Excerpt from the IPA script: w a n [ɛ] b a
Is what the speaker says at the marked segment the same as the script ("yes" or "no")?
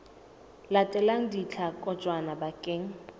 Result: no